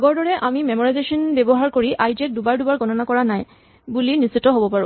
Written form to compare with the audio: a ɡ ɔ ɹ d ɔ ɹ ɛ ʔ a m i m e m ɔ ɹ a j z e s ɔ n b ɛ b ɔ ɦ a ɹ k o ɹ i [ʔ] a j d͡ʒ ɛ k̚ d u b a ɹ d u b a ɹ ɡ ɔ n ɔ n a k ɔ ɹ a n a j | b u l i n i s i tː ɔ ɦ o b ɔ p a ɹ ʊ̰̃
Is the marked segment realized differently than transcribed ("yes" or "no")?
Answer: no